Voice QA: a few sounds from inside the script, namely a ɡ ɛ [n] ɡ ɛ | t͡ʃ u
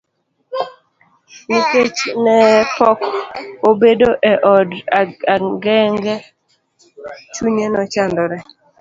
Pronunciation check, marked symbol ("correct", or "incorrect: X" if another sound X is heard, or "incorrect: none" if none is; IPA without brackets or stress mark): incorrect: ŋ